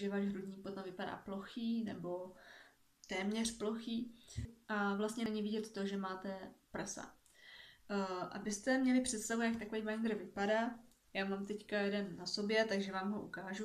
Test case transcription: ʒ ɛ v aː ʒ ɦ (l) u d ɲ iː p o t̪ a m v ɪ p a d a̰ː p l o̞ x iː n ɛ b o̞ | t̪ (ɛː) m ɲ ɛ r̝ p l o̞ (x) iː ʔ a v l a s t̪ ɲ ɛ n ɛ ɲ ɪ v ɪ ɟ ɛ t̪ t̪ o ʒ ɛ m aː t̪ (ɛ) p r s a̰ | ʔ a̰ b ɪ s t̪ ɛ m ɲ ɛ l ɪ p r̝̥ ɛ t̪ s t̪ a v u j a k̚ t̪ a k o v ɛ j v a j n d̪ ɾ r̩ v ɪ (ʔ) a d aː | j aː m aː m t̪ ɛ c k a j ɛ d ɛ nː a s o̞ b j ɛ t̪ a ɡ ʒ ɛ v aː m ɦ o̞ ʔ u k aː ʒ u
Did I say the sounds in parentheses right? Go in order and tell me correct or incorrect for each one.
incorrect: ɾ, correct, correct, correct, incorrect: p

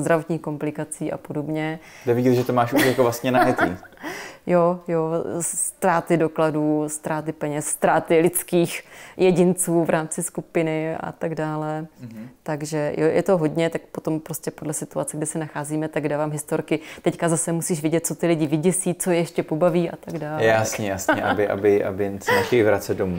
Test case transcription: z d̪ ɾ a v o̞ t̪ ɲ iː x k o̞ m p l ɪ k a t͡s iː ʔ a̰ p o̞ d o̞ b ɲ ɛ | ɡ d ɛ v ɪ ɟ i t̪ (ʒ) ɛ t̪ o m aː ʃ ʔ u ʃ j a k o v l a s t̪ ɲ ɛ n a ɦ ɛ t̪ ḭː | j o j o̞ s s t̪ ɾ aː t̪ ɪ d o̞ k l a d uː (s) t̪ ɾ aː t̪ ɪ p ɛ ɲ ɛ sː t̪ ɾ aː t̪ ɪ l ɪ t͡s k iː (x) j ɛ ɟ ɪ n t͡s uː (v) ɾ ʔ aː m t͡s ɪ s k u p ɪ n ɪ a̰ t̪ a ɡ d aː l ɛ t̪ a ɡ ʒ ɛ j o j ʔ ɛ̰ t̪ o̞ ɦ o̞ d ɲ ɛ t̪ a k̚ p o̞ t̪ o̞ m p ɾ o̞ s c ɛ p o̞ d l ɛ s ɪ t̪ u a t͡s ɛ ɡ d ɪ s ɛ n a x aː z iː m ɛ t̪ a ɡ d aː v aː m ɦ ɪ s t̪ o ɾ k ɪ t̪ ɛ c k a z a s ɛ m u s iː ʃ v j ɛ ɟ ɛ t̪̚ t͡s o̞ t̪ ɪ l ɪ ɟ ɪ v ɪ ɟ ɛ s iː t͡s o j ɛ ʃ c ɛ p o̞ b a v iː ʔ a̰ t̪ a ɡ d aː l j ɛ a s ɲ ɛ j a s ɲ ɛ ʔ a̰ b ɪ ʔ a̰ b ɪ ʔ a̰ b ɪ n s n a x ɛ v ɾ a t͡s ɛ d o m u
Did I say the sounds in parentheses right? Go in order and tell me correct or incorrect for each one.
correct, correct, correct, correct

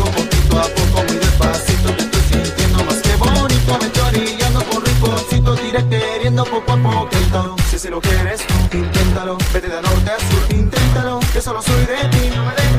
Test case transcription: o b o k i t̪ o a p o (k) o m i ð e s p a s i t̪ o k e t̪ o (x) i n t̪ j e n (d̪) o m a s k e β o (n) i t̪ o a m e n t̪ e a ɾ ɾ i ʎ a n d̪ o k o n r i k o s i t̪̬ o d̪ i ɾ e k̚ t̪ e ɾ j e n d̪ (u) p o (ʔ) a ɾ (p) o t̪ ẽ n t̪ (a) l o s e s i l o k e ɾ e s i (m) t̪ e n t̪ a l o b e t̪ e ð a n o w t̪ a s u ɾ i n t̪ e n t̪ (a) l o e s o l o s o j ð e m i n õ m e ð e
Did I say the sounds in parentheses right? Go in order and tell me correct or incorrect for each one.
correct, incorrect: s, correct, correct, incorrect: o, incorrect: p, correct, correct, incorrect: n, correct

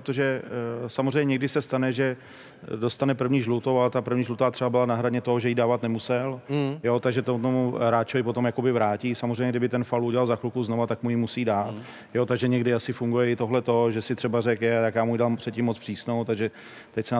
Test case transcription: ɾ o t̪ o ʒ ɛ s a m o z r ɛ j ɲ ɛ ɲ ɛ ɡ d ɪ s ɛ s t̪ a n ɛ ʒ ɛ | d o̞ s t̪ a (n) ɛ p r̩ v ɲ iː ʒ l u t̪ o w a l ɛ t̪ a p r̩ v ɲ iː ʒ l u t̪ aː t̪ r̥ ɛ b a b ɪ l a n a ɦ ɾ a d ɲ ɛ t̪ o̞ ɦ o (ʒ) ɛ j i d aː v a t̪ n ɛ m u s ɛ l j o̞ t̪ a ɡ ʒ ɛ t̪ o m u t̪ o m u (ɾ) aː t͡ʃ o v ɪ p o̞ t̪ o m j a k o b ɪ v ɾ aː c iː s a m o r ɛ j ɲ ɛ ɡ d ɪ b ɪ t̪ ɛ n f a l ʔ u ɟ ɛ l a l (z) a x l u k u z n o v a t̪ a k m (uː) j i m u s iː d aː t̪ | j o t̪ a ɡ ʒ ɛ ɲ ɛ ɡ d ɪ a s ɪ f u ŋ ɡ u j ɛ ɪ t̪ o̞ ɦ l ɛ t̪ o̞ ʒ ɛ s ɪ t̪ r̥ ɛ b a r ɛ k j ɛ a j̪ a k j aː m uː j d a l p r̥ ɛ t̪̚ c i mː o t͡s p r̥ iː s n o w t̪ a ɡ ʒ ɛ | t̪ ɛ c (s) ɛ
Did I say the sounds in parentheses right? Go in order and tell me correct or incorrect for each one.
correct, correct, correct, correct, incorrect: u, correct

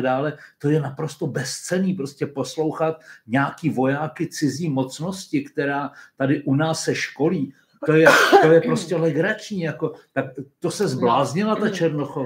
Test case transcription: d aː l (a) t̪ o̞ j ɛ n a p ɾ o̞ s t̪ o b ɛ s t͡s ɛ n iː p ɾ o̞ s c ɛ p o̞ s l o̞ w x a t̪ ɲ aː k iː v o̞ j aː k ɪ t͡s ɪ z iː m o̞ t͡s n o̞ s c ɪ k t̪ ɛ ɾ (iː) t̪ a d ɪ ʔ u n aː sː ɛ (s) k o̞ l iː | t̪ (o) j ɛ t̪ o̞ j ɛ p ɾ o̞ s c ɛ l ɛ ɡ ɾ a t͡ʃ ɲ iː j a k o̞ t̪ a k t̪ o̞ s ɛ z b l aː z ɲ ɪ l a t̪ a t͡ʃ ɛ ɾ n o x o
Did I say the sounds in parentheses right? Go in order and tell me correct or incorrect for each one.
incorrect: ɛ, incorrect: aː, incorrect: ʃ, correct

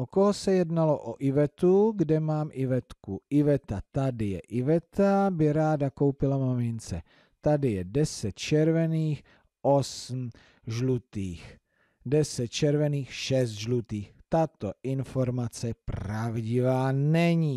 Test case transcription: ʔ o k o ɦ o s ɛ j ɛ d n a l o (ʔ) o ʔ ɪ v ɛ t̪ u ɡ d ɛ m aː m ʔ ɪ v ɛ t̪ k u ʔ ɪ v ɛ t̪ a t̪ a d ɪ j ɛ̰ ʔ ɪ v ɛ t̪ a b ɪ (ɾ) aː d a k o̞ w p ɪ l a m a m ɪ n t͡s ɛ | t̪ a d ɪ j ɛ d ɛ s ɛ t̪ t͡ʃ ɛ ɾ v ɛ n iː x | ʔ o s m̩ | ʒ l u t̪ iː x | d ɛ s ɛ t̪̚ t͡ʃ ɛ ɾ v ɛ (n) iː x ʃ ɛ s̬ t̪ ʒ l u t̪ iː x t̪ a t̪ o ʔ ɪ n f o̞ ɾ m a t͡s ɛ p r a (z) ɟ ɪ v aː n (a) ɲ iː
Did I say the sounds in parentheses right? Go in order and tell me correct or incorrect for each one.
correct, correct, correct, incorrect: v, incorrect: ɛ

